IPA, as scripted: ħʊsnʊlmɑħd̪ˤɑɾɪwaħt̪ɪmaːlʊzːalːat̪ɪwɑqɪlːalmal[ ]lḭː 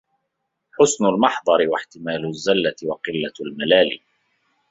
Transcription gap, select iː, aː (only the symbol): aː